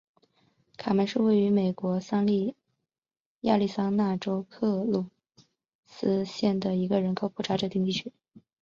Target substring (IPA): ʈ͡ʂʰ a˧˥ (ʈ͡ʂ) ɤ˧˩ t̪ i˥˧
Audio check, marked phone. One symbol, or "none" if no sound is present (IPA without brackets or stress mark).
ʈ͡ʂ